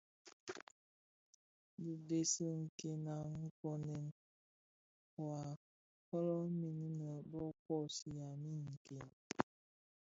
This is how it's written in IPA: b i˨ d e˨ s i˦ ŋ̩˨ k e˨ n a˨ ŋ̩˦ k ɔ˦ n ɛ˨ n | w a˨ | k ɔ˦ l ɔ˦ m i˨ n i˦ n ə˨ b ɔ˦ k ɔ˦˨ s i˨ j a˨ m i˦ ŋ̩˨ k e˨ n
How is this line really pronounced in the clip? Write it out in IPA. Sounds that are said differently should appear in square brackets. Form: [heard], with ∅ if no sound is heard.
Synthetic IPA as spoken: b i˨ d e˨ s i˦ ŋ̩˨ k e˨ n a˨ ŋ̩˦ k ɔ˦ n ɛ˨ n | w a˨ | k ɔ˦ l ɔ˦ m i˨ n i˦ n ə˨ b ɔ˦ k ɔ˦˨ s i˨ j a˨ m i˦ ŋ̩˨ k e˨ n

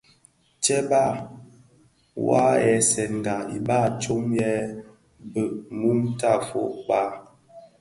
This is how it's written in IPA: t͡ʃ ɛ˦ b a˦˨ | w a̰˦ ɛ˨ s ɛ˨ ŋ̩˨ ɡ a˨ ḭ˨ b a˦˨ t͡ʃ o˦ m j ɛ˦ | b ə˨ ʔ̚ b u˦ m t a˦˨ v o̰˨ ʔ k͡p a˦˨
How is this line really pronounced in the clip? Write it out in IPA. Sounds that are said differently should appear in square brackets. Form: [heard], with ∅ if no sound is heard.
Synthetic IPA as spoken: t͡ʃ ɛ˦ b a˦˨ | w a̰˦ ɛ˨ s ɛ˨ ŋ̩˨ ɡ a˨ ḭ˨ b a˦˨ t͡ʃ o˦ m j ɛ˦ | b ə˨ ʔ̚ [m] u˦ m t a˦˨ [f] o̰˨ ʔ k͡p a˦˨

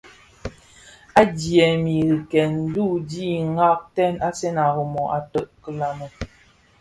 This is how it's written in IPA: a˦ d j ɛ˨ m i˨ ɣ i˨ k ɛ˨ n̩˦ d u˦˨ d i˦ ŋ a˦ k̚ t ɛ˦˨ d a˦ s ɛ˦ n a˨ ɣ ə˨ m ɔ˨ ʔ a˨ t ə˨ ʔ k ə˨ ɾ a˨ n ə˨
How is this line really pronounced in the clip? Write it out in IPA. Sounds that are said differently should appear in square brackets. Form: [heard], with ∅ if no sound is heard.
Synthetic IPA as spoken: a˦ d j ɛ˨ m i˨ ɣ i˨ k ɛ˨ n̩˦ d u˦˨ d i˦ ŋ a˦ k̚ t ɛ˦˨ [n] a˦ s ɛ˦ n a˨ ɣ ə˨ m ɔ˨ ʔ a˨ t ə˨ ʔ k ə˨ [l] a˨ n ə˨

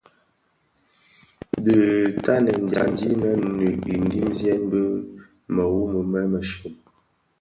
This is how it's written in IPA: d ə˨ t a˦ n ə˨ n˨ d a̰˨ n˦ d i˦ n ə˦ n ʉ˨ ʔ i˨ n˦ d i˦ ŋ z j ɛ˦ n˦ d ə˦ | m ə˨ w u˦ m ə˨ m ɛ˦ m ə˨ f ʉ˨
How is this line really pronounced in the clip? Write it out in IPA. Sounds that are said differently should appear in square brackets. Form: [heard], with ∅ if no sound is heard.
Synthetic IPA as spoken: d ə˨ t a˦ n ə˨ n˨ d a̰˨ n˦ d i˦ n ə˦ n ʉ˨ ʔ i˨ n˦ d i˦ [m] z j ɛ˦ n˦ [b] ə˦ | m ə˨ w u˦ m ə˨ m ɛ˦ m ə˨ [ʃ] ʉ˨

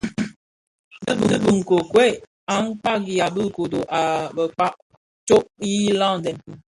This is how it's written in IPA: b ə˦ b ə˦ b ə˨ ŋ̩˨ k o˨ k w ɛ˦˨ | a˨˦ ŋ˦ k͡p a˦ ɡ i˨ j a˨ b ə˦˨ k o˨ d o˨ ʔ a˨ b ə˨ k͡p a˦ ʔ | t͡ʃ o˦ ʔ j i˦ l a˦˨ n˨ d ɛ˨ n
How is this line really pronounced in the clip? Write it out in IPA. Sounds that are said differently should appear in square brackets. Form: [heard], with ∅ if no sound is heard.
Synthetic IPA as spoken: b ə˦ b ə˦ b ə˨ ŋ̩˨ k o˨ k w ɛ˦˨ | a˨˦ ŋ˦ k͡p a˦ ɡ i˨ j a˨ b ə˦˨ k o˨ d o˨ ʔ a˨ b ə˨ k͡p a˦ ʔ | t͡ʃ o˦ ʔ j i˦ l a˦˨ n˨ d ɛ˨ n

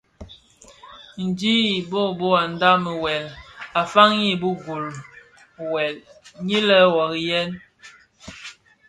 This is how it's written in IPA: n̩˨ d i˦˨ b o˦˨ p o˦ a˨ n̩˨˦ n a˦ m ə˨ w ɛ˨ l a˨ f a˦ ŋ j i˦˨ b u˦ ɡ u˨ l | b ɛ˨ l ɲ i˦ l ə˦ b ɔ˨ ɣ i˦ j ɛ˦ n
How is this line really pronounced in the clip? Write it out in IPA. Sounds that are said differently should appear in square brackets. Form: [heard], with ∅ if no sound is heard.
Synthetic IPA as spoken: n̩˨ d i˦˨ b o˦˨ [b] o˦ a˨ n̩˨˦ [d] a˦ m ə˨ w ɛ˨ l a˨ f a˦ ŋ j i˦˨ b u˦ ɡ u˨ l | [w] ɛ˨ l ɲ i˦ l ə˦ [w] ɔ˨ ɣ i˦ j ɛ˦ n

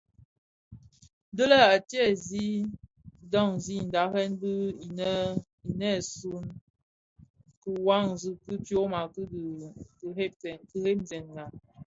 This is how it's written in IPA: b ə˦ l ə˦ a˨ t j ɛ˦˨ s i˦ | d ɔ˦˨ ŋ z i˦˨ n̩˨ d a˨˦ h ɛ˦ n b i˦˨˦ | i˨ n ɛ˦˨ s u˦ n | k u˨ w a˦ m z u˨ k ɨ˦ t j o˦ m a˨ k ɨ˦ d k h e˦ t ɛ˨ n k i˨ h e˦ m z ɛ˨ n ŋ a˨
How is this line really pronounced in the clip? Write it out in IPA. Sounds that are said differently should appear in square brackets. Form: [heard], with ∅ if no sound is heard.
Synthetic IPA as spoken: [d] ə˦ l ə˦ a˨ t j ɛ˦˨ [z] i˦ | d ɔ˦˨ ŋ z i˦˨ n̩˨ d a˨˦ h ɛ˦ n b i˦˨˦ | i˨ n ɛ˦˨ s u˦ n | k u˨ w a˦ [ŋ] z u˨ k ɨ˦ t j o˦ m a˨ k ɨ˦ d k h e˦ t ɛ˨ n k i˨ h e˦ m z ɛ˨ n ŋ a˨

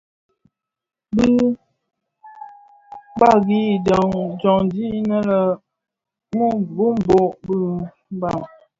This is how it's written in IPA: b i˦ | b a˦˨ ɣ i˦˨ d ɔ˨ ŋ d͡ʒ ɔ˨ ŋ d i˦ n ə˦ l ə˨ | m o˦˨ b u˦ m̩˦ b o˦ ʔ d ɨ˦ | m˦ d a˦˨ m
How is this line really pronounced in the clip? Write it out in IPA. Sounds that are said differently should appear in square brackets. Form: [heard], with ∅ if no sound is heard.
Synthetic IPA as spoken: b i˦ | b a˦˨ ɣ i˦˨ d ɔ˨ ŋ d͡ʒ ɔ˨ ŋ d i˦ n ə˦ l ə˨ | m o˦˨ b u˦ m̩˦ b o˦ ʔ [b] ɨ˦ | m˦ [b] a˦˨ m

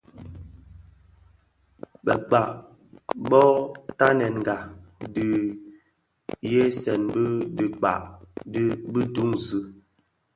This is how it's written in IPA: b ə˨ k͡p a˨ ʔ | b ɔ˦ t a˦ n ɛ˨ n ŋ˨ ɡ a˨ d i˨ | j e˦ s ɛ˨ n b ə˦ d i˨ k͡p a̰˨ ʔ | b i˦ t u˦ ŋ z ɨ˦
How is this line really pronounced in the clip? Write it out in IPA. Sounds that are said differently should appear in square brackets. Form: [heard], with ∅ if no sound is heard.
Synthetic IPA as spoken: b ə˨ k͡p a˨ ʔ | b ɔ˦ t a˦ n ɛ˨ n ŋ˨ ɡ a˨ d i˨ | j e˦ s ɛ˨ n b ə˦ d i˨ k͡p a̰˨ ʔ | b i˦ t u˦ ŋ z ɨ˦

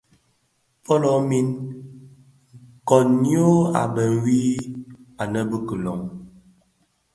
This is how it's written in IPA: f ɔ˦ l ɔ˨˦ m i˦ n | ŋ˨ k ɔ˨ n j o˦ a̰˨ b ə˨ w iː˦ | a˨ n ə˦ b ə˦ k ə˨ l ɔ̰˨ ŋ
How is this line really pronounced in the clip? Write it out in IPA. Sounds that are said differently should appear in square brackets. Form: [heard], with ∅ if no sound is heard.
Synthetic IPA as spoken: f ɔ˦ l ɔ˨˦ m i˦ n | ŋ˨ k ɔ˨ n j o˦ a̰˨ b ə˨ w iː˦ | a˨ n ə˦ b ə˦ k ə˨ l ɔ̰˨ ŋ

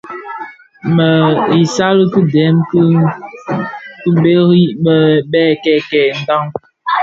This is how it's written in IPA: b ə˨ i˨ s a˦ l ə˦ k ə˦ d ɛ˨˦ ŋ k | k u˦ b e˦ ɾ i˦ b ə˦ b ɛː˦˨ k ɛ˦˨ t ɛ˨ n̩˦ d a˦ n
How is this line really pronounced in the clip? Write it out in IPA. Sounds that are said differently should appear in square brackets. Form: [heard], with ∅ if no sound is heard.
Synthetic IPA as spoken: [m] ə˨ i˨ s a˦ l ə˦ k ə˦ d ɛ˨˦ [m] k | k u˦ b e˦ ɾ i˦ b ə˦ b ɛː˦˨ k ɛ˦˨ [k] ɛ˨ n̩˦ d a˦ [ŋ]

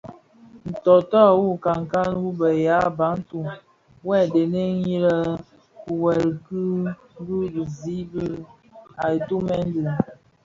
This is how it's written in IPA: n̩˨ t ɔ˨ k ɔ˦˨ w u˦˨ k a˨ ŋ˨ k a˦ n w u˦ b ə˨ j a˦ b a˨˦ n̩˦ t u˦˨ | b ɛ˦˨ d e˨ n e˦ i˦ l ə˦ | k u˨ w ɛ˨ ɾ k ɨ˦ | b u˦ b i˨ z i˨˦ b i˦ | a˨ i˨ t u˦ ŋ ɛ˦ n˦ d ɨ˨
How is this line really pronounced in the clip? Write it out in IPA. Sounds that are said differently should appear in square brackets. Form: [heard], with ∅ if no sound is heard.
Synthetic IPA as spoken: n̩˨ t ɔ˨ [t] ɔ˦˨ w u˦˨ k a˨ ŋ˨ k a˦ n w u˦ b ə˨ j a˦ b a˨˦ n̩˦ t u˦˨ | [w] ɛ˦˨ d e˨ n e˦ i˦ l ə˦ | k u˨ w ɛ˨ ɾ k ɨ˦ | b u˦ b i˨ z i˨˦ b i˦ | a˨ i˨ t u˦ [m] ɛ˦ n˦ d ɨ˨

